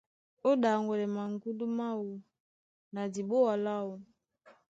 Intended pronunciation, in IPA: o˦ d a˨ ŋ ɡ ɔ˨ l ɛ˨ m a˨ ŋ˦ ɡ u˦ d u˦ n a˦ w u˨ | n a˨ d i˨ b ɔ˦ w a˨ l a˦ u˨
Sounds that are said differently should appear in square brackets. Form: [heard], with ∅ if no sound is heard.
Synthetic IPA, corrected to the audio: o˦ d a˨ ŋ ɡ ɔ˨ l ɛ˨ m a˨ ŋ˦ ɡ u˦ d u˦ [m] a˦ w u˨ | n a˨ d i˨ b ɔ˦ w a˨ l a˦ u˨